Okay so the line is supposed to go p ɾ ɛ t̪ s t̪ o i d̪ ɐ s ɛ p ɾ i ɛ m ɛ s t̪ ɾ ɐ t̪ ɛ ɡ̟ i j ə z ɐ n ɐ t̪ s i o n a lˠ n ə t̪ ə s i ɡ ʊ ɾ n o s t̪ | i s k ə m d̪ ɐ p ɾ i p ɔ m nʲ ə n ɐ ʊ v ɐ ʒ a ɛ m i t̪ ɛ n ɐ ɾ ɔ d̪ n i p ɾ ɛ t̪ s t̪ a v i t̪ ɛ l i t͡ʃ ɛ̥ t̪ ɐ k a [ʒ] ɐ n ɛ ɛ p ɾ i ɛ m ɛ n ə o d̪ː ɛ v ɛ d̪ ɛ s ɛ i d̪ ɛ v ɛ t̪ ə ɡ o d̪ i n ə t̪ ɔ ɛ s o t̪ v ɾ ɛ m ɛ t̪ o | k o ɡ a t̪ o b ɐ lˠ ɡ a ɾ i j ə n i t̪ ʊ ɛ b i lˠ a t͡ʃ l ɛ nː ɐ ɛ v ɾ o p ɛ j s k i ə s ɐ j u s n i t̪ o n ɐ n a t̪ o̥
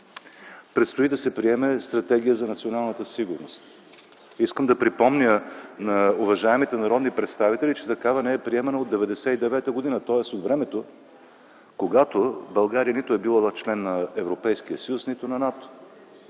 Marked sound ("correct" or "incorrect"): incorrect